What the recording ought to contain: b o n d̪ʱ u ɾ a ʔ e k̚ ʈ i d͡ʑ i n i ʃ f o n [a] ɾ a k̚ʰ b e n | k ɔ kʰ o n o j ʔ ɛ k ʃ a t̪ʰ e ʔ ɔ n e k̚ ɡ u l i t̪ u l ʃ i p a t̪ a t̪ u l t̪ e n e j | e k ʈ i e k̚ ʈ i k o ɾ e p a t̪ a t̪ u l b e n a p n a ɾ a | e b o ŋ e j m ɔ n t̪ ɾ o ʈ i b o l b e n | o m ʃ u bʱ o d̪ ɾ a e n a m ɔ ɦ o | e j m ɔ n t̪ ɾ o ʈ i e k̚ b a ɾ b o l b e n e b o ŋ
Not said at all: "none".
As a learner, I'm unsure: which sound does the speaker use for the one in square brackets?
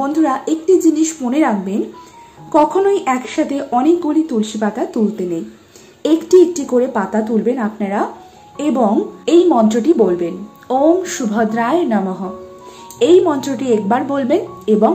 e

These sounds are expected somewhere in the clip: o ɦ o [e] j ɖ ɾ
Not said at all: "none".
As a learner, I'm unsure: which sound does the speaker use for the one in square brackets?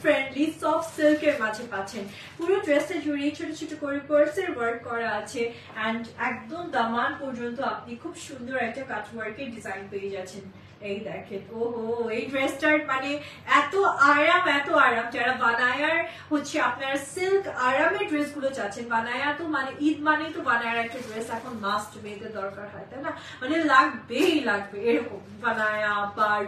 e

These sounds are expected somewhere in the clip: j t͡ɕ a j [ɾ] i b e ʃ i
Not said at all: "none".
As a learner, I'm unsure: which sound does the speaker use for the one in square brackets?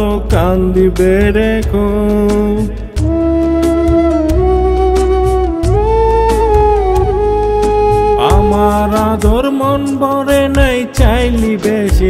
l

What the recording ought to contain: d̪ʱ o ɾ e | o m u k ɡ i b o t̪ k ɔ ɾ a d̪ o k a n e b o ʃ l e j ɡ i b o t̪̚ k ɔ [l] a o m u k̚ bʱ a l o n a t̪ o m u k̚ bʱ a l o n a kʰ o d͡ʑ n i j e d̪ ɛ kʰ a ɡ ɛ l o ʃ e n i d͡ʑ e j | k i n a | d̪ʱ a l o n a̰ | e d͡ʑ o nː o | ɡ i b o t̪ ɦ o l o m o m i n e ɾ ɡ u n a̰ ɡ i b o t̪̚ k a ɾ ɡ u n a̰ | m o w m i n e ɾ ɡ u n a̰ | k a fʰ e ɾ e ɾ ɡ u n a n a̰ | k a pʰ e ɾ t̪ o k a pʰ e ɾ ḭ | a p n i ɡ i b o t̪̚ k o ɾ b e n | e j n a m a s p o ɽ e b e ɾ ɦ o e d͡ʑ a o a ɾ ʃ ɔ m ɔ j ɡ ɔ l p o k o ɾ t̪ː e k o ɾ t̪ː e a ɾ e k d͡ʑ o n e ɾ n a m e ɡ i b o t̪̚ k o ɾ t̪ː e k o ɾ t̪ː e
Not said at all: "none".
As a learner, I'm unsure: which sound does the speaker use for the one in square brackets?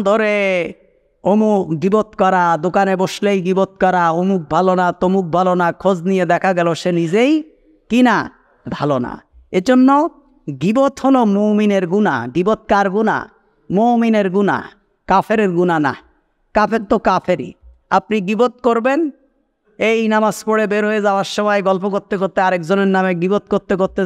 ɾ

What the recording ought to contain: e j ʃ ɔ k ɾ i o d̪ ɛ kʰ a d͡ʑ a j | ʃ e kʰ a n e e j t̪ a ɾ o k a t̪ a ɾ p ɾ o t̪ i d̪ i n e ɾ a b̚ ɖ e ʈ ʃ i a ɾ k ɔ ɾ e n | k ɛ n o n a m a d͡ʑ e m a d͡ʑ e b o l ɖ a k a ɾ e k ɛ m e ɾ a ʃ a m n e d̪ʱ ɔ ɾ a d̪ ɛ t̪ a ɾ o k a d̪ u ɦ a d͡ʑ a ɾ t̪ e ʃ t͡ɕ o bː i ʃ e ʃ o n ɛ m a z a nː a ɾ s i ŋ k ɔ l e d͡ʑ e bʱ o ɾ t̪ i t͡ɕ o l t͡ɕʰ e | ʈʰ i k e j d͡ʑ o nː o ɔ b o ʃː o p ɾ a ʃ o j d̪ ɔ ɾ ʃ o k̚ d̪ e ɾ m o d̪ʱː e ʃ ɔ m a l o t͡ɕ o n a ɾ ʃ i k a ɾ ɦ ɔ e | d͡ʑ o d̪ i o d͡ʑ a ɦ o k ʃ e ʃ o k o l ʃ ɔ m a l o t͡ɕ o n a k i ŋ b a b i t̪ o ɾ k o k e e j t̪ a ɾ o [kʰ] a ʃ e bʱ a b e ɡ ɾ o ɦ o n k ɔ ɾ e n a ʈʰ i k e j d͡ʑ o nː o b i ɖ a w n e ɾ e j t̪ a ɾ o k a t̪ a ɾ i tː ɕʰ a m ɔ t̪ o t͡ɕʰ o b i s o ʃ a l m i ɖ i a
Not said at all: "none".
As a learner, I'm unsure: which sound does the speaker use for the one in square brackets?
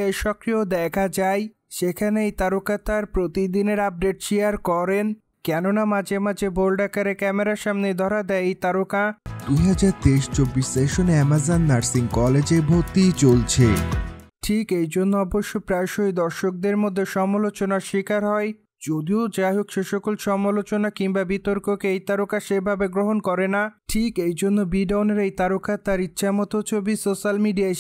k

